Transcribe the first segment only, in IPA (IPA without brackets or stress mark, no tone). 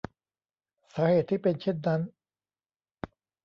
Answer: s